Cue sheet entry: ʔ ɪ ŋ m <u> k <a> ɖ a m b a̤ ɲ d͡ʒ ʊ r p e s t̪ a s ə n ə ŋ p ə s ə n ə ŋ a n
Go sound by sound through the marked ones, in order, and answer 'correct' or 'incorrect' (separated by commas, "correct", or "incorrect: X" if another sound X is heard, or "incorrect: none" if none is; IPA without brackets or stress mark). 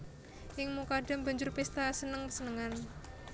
correct, correct